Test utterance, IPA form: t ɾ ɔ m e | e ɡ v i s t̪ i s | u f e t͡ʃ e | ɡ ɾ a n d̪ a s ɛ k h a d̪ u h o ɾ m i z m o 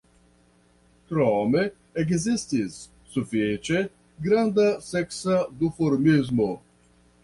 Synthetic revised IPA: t ɾ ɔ m e | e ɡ z i s t̪ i sː | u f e t͡ʃ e | ɡ ɾ a n d̪ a s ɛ k s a d̪ u f o ɾ m i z m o